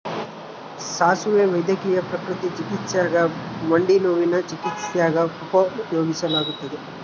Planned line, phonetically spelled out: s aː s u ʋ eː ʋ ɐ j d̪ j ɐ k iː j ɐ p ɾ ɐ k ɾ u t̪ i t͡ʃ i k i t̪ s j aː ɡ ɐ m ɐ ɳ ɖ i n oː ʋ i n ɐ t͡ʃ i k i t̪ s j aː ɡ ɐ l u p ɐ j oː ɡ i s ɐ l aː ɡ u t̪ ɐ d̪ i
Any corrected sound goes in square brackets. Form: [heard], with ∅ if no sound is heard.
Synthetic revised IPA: s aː s u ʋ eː ʋ ɐ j d̪ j ɐ k iː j ɐ p ɾ ɐ k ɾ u t̪ i t͡ʃ i k i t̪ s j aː ɡ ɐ m ɐ ɳ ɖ i n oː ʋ i n ɐ t͡ʃ i k i t̪ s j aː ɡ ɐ [∅] u p ɐ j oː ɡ i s ɐ l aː ɡ u t̪ ɐ d̪ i